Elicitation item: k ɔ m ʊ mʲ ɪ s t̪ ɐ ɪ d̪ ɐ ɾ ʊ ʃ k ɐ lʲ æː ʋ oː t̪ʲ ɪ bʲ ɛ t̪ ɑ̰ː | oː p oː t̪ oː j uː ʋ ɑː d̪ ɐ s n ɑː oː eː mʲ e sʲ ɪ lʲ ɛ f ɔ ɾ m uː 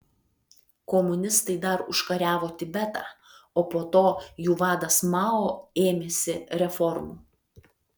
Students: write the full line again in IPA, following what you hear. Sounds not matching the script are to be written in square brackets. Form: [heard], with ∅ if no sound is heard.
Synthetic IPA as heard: k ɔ m ʊ [nʲ] ɪ s t̪ ɐ ɪ d̪ ɐ ɾ ʊ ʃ k ɐ [ɾʲ] æː ʋ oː t̪ʲ ɪ bʲ ɛ t̪ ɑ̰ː | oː p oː t̪ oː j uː ʋ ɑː d̪ ɐ s [m] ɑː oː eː mʲ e sʲ ɪ [ɾʲ] ɛ f ɔ ɾ m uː